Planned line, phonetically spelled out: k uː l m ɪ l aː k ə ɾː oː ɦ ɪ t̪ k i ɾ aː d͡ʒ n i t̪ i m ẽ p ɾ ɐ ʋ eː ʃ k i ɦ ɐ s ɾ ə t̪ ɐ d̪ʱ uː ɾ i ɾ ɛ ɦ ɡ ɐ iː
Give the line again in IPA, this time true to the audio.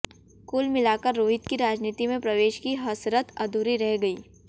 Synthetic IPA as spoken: k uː l m ɪ l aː k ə ɾː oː ɦ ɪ t̪ k i ɾ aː d͡ʒ n iː t̪ i m ẽ p ɾ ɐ ʋ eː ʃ k i ɦ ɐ s ɾ ə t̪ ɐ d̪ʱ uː ɾ i ɾ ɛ ɦ ɡ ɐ iː

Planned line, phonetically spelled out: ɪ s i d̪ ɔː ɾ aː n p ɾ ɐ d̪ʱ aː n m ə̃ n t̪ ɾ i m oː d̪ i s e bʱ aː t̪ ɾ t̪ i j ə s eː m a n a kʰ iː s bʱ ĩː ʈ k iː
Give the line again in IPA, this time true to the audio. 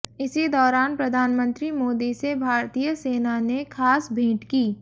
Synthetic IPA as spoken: ɪ s i d̪ ɔː ɾ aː n p ɾ ɐ d̪ʱ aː n m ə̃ n t̪ ɾ i m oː d̪ i s e bʱ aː ɾ t̪ i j ə s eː n a n e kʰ aː s bʱ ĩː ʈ k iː

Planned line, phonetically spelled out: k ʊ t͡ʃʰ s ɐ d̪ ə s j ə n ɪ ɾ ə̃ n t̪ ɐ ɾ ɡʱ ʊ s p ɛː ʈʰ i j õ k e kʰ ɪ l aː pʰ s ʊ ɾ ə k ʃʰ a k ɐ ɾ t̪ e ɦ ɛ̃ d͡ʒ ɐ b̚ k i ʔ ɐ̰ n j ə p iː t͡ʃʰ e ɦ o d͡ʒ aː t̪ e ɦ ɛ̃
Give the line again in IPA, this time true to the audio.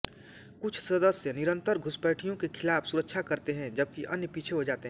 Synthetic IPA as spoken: k ʊ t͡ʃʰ s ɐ d̪ ə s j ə n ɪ ɾ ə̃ n t̪ ə ɾ ɡʱ ʊ s p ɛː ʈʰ i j õ k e kʰ ɪ l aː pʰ s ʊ ɾ ə k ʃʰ a k ɐ ɾ t̪ e ɦ ɛ̃ d͡ʒ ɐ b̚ k i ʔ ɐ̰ n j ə p iː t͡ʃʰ e ɦ o d͡ʒ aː t̪ e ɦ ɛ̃

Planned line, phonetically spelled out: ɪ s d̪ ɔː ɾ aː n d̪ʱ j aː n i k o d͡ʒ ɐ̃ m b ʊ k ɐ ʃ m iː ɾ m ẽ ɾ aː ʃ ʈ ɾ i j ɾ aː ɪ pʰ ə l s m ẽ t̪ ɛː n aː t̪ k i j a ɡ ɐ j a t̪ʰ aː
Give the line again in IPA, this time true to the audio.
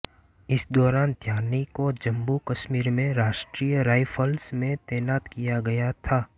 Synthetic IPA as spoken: ɪ s d̪ ɔː ɾ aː n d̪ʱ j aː n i k o d͡ʒ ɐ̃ m b u k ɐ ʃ m iː ɾ m ẽ ɾ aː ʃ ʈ ɾ i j ɾ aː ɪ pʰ ə l s m ẽ t̪ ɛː n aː t̪ k i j a ɡ ɐ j a t̪ʰ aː

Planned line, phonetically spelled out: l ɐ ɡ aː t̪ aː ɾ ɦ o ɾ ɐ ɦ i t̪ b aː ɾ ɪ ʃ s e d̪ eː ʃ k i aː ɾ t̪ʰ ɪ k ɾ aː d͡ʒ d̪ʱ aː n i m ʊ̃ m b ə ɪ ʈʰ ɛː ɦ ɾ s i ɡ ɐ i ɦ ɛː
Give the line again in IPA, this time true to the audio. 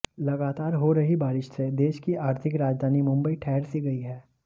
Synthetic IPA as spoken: l ɐ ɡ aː t̪ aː ɾ ɦ o ɾ ɐ ɦ i b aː ɾ ɪ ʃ s e d̪ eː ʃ k i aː ɾ t̪ʰ ɪ k ɾ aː d͡ʒ d̪ʱ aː n i m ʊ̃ m b ə i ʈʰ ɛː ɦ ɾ s i ɡ ɐ i ɦ ɛː

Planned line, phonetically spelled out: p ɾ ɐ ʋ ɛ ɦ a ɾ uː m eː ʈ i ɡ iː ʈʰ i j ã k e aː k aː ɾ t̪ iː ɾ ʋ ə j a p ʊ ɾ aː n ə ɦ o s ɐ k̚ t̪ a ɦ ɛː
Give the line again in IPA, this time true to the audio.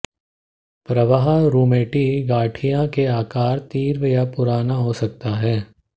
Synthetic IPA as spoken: p ɾ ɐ ʋ a ɦ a ɾ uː m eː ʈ i ɡ aː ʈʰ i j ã k e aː k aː ɾ t̪ iː ɾ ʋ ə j a p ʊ ɾ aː n a ɦ o s ɐ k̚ t̪ a ɦ ɛː

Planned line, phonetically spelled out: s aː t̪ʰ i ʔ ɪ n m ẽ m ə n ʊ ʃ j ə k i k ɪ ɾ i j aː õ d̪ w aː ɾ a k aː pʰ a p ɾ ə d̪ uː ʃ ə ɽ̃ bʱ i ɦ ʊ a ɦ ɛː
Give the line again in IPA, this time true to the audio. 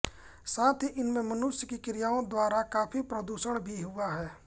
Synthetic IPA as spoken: s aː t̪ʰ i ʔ ɪ n m ẽ m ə n ʊ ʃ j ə k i k ɪ ɾ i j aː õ d̪ w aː ɾ a k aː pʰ i p ɾ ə d̪ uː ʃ ə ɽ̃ bʱ i ɦ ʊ a ɦ ɛː

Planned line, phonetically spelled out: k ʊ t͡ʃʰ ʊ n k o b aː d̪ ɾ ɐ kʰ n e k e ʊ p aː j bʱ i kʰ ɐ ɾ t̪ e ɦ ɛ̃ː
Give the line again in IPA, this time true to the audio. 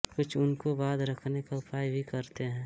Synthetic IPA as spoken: k ʊ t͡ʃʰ ʊ n k o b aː d̪ ɾ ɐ kʰ n e k a ʊ p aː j bʱ i k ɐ ɾ t̪ e ɦ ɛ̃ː

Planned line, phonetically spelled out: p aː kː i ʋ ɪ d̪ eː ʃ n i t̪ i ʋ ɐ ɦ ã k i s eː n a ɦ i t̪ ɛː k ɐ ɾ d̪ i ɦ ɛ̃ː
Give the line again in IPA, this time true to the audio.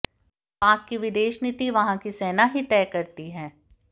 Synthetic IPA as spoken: p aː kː i ʋ ɪ d̪ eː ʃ n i t̪ i ʋ ɐ ɦ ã k i s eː n a ɦ i t̪ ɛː k ɐ ɾ t̪ i ɦ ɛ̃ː

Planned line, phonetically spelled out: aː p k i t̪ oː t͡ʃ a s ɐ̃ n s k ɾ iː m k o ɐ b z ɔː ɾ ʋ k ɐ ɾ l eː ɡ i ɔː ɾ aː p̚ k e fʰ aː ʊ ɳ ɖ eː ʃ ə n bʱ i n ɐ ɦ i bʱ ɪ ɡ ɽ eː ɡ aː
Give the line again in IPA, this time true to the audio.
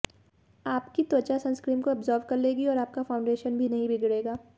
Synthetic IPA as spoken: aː p k i t̪ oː t͡ʃ a s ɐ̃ n s k ɾ iː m k o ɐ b z ɔː ɾ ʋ k ɐ ɾ l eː ɡ i ɔː ɾ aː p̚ k a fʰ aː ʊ ɳ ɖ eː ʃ ə n bʱ i n ɐ ɦ ĩ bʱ ɪ ɡ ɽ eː ɡ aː

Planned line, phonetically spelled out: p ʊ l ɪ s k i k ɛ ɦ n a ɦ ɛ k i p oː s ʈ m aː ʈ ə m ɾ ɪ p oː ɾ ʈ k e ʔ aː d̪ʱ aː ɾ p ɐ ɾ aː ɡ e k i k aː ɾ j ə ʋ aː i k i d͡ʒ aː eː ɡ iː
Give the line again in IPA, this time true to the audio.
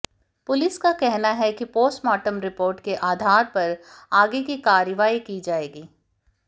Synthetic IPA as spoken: p ʊ l ɪ s k a k ɛ ɦ n a ɦ ɛ k i p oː s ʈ m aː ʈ ə m ɾ ɪ p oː ɾ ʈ k e ʔ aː d̪ʱ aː ɾ p ɐ ɾ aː ɡ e k i k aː ɾ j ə ʋ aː i k i d͡ʒ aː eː ɡ iː

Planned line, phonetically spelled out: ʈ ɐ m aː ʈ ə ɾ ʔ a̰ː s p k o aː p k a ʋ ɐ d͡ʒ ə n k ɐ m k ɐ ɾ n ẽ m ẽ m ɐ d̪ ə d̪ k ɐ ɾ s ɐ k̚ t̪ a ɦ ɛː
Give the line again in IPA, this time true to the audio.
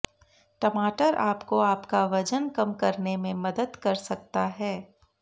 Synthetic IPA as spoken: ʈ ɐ m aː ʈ ə ɾ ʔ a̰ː p k o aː p k a ʋ ɐ d͡ʒ ə n k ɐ m k ɐ ɾ n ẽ m ẽ m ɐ d̪ ə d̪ k ɐ ɾ s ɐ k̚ t̪ a ɦ ɛː

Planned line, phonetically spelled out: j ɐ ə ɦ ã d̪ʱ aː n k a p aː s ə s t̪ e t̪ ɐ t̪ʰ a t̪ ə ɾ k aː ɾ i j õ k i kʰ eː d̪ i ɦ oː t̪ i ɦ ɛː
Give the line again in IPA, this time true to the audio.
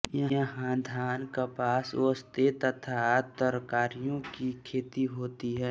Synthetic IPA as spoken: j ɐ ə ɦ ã d̪ʱ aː n k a p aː s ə s t̪ e t̪ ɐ t̪ʰ a t̪ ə ɾ k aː ɾ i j õ k i kʰ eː t̪ i ɦ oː t̪ i ɦ ɛː

